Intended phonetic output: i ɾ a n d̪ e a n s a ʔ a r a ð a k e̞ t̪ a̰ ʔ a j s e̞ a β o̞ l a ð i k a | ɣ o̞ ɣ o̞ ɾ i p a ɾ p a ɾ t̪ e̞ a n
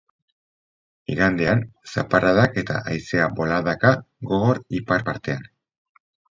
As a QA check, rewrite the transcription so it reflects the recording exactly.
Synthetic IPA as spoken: i ɾ a n d̪ e a n s a p a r a ð a k e̞ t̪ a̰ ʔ a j s e̞ a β o̞ l a ð a k a | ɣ o̞ ɣ o̞ ɾ i p a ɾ p a ɾ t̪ e̞ a n